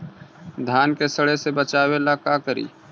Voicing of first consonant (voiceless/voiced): voiced